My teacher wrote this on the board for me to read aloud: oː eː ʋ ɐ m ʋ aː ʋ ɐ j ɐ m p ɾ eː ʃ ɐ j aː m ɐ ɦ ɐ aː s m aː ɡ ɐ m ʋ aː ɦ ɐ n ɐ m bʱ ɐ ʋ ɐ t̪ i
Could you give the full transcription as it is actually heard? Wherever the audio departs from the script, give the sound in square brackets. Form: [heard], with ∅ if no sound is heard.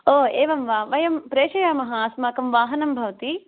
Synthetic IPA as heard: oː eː ʋ ɐ m ʋ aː ʋ ɐ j ɐ m p ɾ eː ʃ ɐ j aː m ɐ ɦ ɐ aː s m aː [k] ɐ m ʋ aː ɦ ɐ n ɐ m bʱ ɐ ʋ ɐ t̪ i